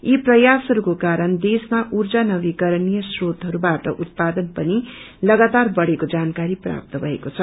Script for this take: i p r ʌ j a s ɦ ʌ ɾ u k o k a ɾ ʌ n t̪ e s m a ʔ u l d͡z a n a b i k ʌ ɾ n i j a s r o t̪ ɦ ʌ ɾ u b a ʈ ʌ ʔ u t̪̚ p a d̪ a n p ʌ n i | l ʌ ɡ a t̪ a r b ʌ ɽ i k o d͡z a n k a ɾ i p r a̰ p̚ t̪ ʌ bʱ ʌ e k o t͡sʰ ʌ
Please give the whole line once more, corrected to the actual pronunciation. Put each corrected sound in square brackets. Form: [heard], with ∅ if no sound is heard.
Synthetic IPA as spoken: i p r ʌ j a s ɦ ʌ ɾ u k o k a ɾ ʌ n [d̪] e s m a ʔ u [r] d͡z a n [ʌ] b i k ʌ ɾ n i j [ʌ] s r o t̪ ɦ ʌ ɾ u b a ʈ ʌ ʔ u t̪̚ p a d̪ [ʌ] n p ʌ n i | l ʌ ɡ a t̪ a r b ʌ ɽ [e] k o d͡z a n k a ɾ i p r a̰ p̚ t̪ ʌ bʱ ʌ e k o t͡sʰ ʌ